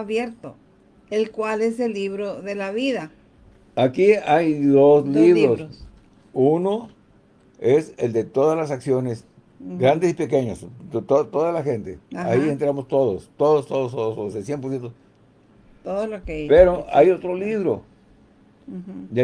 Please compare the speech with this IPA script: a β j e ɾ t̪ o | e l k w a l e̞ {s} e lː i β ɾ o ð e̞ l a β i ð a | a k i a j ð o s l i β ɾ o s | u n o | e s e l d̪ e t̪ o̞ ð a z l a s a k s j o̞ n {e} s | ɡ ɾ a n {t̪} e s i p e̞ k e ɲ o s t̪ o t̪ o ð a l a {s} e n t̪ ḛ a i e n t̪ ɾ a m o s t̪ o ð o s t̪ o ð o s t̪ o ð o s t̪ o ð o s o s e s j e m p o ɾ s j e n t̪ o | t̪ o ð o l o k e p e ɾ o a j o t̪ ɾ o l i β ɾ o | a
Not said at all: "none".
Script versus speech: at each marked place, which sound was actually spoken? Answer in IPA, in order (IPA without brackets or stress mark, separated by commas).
s, e, d̪, x